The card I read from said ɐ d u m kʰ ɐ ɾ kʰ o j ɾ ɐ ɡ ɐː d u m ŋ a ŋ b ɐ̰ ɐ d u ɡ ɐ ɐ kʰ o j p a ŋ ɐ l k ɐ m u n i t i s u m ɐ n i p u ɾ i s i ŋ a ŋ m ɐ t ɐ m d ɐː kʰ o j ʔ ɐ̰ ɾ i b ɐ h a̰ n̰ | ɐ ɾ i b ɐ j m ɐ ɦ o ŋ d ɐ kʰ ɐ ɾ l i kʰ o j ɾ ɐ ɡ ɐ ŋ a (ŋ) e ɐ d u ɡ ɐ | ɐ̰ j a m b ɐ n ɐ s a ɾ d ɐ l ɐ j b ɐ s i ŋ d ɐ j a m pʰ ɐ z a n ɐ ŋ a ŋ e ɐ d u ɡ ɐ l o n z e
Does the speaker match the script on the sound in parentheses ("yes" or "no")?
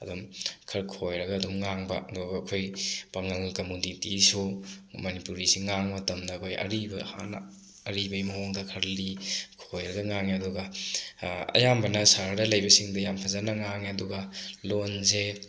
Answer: yes